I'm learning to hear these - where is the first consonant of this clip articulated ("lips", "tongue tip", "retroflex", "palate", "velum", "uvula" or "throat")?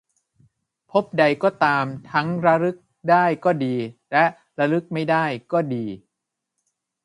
lips